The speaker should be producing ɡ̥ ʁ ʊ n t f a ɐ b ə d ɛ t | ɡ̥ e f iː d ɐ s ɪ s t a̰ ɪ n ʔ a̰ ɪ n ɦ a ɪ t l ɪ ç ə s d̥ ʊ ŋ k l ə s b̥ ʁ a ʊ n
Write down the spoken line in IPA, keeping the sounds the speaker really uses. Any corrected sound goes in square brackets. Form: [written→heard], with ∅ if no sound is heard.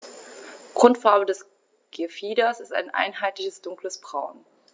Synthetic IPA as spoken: ɡ̥ ʁ ʊ n t f a ɐ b ə d ɛ [t→s] | ɡ̥ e f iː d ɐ s ɪ s t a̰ ɪ n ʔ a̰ ɪ n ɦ a ɪ t l ɪ ç ə s d̥ ʊ ŋ k l ə s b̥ ʁ a ʊ n